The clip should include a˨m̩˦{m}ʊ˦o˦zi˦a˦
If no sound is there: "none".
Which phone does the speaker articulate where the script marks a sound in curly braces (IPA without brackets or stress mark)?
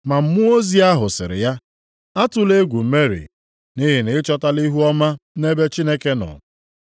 m